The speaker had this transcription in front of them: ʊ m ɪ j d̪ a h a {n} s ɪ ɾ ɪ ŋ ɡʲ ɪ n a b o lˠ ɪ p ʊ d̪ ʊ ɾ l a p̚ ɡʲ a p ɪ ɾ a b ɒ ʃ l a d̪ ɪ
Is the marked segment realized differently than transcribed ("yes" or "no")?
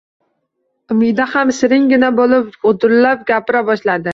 yes